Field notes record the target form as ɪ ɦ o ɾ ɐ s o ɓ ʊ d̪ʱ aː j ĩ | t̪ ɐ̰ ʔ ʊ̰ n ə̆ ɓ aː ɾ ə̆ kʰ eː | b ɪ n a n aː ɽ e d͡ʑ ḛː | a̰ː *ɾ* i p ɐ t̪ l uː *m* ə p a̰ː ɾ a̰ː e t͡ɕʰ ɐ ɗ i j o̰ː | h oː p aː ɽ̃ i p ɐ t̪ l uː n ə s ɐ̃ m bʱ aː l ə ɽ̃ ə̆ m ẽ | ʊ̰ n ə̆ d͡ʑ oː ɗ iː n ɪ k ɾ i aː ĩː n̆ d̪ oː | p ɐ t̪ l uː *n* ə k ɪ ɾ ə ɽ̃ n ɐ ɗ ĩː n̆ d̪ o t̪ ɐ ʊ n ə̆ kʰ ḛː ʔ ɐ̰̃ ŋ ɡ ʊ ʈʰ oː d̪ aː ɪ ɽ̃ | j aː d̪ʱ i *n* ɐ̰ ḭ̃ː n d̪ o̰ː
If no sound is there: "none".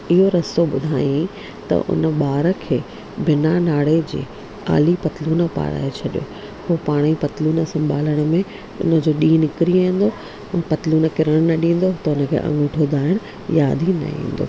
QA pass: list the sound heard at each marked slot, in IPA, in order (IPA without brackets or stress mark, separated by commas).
l, n, n, n